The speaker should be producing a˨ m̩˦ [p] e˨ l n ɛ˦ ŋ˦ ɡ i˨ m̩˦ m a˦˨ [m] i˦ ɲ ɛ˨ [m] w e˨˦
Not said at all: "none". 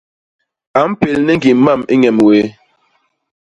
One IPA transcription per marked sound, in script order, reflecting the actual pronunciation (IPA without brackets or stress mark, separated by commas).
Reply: p, m, m